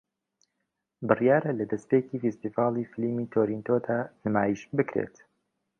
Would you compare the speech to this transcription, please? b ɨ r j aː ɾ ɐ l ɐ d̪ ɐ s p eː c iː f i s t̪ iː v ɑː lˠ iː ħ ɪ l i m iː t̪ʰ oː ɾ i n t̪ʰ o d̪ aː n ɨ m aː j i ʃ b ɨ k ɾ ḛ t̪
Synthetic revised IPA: b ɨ r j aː ɾ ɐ l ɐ d̪ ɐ s p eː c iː f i s t̪ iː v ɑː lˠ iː f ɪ l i m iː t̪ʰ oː ɾ i n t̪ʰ o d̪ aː n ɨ m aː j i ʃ b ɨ k ɾ ḛ t̪